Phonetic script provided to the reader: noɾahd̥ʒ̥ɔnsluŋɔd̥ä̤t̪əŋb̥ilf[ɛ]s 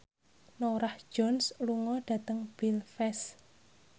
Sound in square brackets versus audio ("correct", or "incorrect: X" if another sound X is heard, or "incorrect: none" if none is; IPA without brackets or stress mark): correct